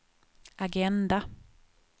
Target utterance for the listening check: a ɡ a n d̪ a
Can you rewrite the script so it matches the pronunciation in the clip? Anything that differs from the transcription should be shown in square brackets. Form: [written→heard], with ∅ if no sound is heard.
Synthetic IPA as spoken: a ɡ [a→ɛ] n d̪ a